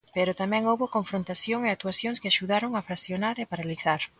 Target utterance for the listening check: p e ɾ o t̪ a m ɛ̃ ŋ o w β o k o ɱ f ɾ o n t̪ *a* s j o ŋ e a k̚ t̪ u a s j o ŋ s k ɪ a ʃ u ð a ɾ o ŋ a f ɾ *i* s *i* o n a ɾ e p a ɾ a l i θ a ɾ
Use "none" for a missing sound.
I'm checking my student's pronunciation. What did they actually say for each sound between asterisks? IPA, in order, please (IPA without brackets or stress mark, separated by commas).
a, a, j